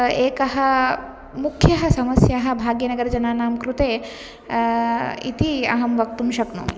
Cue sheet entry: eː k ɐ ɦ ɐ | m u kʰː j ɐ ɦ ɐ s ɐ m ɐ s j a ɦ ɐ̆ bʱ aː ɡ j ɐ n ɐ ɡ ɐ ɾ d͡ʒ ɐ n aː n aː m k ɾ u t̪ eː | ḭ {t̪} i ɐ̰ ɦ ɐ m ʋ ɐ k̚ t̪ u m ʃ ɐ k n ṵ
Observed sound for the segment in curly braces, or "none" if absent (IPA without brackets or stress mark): t̪